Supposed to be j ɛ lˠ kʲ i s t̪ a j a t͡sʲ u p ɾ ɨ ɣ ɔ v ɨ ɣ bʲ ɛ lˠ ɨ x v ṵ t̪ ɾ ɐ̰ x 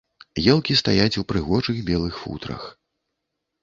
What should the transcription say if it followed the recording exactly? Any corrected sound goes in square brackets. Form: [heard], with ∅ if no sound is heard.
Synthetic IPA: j ɛ lˠ kʲ i s t̪ a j a t͡sʲ u p ɾ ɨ ɣ ɔ [ʐ] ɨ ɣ bʲ ɛ lˠ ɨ x [f] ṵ t̪ ɾ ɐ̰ x